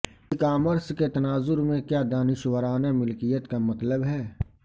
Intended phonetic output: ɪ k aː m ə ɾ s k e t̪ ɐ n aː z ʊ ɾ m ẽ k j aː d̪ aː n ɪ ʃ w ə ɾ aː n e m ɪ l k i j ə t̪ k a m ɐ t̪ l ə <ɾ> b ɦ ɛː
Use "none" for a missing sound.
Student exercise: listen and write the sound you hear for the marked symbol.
none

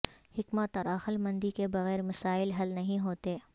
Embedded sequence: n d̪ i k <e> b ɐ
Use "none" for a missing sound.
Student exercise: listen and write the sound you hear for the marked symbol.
e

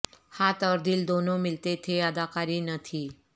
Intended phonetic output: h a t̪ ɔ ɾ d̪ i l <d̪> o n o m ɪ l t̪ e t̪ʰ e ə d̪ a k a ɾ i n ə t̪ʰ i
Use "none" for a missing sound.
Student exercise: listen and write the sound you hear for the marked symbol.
d̪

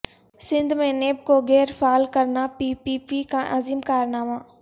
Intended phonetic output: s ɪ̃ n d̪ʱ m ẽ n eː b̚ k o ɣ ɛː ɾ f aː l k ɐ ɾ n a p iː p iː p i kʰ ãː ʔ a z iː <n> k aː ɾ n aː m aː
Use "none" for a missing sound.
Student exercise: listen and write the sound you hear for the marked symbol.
m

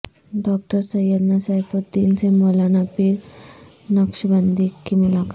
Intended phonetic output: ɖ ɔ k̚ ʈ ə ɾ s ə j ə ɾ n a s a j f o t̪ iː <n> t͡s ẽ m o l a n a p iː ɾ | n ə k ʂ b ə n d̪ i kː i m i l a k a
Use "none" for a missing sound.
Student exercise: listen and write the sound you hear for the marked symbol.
n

